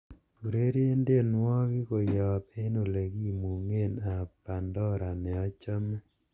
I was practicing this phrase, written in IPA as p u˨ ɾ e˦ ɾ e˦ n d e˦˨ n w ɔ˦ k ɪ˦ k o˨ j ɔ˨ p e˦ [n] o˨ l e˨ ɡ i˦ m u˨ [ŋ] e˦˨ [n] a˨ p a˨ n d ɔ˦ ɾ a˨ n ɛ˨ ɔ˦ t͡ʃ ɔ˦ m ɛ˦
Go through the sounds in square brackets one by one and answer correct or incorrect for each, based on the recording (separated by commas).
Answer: correct, correct, correct